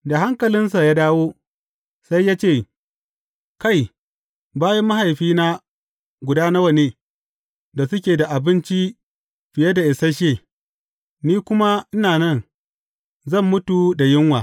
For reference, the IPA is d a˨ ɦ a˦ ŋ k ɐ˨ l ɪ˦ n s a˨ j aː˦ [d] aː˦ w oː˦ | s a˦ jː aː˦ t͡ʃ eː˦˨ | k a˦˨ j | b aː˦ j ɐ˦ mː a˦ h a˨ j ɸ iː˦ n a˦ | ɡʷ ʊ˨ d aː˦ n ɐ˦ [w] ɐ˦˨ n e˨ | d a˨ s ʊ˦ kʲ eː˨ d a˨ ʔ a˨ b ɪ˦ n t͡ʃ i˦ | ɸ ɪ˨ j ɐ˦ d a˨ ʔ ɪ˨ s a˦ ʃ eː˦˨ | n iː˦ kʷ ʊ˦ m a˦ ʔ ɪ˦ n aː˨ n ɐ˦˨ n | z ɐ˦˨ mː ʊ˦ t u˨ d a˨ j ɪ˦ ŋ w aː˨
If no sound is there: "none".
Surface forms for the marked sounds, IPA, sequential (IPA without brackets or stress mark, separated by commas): d, w